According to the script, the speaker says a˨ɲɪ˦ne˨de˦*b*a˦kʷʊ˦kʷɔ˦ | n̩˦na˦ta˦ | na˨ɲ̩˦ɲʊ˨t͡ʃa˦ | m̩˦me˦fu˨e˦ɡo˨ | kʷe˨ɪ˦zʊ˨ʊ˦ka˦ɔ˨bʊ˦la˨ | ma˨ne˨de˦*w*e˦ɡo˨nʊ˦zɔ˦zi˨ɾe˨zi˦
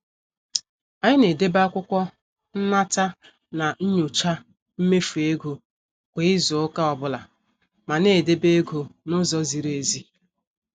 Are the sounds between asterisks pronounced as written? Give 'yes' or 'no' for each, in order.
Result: yes, no

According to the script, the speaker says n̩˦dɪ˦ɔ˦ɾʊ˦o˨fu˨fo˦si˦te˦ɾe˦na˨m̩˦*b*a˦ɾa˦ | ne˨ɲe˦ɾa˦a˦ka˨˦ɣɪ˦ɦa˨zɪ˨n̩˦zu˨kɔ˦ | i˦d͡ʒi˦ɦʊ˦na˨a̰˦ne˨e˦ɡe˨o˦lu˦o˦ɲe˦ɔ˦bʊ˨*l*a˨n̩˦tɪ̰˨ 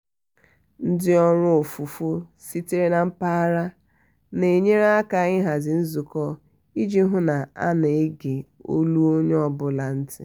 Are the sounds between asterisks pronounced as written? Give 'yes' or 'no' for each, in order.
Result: no, yes

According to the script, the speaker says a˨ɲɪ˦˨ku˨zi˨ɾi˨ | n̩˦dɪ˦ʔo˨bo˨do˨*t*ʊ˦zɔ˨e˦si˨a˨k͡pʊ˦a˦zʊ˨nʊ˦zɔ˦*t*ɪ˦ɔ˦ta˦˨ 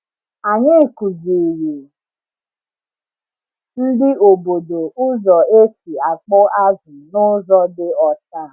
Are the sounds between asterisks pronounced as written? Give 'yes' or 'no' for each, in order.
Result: no, no

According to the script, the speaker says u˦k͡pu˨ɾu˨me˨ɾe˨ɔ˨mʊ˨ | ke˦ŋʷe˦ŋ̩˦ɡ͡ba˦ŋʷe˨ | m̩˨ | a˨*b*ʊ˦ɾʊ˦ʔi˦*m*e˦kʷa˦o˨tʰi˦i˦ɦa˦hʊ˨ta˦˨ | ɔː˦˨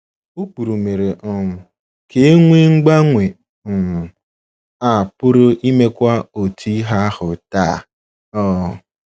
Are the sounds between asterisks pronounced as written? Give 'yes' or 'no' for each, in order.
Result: no, yes

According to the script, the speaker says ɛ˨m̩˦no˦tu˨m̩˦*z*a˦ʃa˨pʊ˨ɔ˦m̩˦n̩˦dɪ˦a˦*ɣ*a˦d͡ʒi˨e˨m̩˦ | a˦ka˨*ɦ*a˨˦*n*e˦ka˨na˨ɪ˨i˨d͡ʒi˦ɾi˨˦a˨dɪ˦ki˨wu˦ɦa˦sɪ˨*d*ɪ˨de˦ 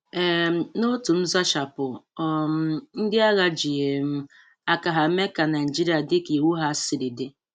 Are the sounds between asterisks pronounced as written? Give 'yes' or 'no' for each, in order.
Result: yes, yes, yes, no, yes

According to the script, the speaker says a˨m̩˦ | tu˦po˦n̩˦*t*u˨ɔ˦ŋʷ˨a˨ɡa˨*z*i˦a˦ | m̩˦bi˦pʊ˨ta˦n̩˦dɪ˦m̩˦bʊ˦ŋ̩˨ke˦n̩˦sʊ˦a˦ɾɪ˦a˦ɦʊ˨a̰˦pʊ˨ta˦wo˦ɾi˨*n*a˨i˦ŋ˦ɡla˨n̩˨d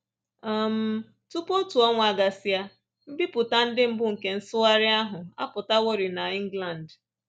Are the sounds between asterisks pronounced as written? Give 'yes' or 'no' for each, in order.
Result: yes, no, yes

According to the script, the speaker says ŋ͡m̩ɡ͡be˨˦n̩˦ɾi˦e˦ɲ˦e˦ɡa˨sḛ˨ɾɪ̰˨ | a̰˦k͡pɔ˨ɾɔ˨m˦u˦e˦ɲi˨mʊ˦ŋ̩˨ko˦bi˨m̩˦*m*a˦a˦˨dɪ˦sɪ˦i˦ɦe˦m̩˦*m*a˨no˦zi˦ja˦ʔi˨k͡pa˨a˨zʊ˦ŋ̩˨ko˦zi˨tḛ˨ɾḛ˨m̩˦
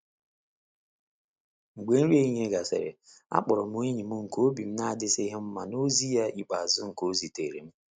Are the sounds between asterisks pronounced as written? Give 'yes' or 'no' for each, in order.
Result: no, yes

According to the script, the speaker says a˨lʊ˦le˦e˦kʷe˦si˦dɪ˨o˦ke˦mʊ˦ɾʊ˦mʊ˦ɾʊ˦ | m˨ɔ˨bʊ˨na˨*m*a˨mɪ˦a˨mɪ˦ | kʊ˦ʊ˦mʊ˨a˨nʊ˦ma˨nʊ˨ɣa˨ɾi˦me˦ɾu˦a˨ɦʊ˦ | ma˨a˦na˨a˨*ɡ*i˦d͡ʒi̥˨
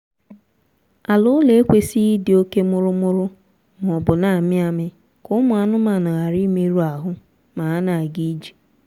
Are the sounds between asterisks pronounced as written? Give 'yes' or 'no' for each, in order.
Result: no, yes

